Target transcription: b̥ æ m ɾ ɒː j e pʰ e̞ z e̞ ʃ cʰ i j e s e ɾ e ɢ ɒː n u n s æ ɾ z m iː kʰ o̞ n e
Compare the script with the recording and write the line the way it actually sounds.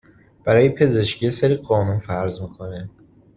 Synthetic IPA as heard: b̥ æ ɾ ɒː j e pʰ e̞ z e̞ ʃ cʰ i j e s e ɾ i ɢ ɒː n u n f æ ɾ z m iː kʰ o̞ n e